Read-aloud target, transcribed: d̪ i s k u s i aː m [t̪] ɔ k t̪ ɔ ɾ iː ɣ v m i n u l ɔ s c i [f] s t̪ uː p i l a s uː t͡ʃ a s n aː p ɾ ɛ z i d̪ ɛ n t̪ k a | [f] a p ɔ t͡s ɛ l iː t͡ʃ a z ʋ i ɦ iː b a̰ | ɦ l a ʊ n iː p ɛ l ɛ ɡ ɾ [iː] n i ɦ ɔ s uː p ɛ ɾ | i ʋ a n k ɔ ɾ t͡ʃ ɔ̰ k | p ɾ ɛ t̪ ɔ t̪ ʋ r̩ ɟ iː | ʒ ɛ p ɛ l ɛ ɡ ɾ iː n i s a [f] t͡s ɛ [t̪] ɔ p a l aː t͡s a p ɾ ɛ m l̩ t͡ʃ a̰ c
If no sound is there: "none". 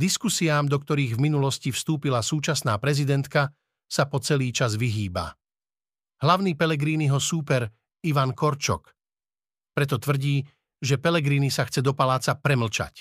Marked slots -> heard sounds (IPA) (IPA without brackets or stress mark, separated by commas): d̪, f, s, iː, x, d̪